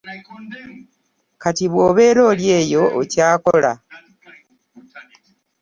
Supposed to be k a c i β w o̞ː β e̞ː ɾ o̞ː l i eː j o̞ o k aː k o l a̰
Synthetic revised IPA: k a t i β w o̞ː β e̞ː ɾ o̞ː l j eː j o̞ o c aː k o l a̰